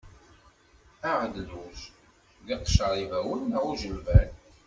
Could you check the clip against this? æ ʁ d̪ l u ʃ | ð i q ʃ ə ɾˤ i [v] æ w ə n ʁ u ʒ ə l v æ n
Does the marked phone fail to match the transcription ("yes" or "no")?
no